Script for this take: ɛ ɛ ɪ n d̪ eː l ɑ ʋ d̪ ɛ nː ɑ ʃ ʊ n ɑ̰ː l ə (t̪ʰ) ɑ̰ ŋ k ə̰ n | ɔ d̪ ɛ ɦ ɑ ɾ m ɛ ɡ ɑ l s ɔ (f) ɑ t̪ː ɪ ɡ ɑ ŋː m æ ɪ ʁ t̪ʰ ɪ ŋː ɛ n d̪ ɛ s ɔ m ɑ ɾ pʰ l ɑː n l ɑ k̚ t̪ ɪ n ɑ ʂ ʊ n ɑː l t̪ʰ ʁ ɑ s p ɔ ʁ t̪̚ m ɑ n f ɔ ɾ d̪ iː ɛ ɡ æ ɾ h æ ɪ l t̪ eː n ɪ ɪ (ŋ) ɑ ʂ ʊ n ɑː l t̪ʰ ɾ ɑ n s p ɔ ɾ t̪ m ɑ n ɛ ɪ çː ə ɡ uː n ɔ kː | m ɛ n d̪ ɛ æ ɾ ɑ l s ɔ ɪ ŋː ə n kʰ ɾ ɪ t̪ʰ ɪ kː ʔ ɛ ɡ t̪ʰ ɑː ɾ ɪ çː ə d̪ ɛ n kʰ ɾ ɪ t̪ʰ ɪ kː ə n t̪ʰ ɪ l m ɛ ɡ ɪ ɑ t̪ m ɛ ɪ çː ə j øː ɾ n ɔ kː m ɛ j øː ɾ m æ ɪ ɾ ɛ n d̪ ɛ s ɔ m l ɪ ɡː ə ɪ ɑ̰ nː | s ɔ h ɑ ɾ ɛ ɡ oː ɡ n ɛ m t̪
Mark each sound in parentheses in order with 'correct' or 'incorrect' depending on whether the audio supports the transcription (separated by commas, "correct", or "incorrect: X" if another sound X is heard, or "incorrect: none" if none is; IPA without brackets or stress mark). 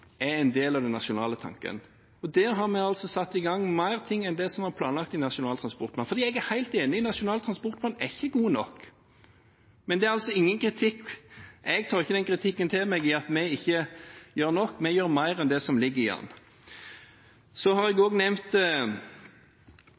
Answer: correct, incorrect: s, incorrect: n